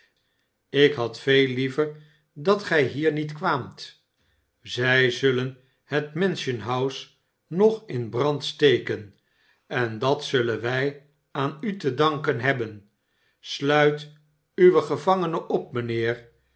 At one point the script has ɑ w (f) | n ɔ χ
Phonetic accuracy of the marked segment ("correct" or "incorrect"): incorrect